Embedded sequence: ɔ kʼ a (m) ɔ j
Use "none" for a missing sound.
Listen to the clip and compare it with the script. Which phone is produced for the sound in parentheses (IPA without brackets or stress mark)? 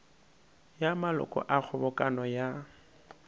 n